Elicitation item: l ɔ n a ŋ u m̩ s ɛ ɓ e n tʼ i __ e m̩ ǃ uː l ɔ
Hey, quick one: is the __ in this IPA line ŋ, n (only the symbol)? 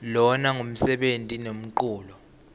n